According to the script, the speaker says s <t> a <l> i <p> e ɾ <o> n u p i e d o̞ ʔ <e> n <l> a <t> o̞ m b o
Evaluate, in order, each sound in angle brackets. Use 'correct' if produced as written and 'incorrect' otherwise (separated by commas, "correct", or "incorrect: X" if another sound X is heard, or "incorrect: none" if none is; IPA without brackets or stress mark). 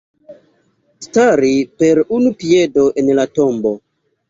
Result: correct, incorrect: ɾ, correct, incorrect: u, correct, correct, correct